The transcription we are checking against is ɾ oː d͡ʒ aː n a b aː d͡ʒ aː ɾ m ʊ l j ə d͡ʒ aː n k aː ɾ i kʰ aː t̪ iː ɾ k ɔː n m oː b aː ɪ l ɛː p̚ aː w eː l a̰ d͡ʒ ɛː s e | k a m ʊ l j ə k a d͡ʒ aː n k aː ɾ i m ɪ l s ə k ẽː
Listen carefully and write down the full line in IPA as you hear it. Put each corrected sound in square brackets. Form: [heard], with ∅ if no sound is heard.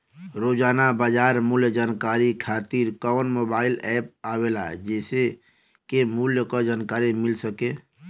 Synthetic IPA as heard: ɾ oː d͡ʒ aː n a b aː d͡ʒ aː ɾ m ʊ l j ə d͡ʒ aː n k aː ɾ i kʰ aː t̪ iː ɾ k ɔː n m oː b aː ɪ l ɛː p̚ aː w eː l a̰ d͡ʒ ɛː s e | k [e] m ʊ l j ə k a d͡ʒ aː n k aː ɾ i m ɪ l s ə k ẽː